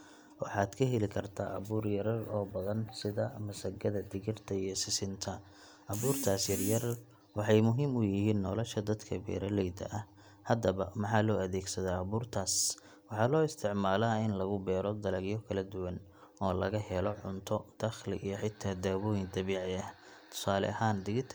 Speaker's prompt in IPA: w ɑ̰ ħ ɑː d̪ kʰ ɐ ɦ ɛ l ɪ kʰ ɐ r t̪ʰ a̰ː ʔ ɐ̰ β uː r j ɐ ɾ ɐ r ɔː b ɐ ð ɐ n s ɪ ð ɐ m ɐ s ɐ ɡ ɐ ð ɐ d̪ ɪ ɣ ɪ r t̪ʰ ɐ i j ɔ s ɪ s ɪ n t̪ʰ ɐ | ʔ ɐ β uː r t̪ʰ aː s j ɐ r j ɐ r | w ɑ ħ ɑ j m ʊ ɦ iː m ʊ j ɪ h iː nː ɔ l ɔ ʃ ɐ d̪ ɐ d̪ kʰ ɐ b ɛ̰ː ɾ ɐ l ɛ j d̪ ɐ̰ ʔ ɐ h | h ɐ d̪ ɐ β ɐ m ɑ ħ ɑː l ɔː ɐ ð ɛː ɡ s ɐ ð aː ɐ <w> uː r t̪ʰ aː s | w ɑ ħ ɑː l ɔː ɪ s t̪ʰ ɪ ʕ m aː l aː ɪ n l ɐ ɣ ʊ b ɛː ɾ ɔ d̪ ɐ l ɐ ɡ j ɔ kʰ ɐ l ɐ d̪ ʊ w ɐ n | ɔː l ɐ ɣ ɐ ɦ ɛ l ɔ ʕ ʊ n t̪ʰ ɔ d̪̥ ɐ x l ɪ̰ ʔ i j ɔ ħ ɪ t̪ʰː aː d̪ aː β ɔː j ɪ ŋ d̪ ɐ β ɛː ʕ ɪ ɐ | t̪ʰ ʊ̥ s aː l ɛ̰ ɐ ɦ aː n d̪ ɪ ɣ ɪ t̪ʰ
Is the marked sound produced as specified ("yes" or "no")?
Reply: no